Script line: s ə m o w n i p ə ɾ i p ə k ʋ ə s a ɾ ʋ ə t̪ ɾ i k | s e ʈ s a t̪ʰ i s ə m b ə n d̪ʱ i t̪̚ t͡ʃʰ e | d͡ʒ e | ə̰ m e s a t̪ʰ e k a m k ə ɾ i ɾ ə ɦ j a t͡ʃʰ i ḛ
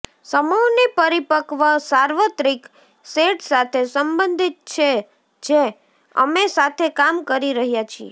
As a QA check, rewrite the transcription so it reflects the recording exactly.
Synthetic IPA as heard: s ə m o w n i p ə ɾ i p ə k ʋ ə s a ɾ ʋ ə t̪ ɾ i k | s e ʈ s a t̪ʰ e s ə m b ə n d̪ʱ i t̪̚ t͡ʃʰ e | d͡ʒ e | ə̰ m e s a t̪ʰ e k a m k ə ɾ i ɾ ə ɦ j a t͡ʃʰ i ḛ